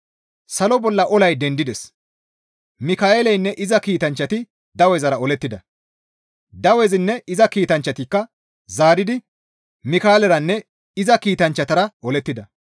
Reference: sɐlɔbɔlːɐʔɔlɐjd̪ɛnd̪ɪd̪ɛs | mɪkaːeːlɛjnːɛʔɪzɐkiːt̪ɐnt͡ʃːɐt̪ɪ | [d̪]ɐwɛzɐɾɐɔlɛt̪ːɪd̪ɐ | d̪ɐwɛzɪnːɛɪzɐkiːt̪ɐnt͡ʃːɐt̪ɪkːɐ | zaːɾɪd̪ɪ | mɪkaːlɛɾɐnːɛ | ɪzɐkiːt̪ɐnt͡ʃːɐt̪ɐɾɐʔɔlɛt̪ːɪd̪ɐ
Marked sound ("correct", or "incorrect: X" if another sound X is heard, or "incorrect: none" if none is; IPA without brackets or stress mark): correct